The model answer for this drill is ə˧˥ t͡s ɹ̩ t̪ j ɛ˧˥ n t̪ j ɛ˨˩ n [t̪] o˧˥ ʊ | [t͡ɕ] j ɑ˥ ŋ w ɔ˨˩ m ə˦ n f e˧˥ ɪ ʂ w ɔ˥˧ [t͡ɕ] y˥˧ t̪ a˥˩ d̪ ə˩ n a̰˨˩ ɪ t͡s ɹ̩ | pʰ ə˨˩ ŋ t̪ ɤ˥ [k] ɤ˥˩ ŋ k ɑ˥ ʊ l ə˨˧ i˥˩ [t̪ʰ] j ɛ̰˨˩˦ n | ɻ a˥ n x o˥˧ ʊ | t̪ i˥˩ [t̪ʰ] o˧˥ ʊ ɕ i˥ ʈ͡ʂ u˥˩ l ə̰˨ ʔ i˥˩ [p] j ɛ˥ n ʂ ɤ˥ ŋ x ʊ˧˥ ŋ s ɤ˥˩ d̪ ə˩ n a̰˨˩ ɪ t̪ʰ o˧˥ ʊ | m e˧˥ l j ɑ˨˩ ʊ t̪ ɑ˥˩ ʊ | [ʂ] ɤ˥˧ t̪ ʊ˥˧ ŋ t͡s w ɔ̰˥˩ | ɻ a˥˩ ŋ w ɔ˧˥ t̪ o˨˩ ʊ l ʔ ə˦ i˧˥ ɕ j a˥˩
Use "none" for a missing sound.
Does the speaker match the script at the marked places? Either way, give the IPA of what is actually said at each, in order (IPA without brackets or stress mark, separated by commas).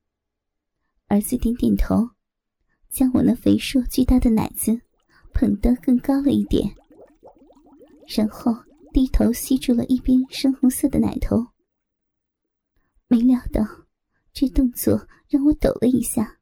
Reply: t̪ʰ, t͡ɕ, t͡ɕ, k, t̪, t̪ʰ, p, ʈ͡ʂ